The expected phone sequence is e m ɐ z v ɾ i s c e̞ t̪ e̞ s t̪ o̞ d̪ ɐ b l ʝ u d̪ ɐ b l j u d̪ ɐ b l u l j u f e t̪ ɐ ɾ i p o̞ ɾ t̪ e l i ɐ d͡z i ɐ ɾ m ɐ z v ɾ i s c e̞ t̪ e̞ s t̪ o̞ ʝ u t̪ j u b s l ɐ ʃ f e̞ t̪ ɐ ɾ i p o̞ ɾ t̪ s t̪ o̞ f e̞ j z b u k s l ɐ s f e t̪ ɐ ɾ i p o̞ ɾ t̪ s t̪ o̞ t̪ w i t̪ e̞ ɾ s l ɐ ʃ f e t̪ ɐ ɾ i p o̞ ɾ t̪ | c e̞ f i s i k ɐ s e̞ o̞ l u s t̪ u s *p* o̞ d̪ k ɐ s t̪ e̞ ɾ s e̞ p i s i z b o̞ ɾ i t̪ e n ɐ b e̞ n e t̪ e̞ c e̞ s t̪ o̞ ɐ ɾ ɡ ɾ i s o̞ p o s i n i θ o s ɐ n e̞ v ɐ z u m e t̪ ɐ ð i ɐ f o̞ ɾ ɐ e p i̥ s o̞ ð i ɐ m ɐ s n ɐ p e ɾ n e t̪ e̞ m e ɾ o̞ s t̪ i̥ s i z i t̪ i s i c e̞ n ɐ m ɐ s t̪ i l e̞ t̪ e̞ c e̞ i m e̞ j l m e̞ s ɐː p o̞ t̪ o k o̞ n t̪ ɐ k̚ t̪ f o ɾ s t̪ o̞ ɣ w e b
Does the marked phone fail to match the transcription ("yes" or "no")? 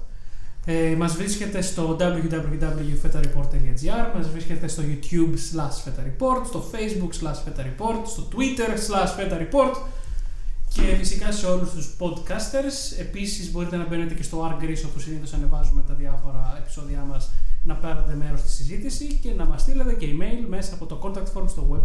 no